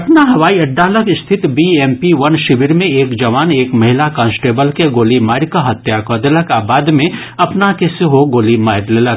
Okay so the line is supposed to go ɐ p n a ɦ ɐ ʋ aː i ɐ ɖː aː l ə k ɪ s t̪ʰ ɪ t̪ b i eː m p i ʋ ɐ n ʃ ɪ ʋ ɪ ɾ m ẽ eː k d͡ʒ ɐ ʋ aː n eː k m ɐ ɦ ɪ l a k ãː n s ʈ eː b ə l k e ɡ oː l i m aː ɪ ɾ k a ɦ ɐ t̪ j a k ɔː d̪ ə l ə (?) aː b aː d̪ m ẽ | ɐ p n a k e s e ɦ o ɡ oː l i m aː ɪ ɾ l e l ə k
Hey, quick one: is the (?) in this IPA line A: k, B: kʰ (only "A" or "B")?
A